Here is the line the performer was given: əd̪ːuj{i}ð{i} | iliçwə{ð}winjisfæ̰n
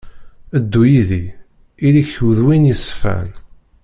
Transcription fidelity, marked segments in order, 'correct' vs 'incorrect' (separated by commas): correct, correct, correct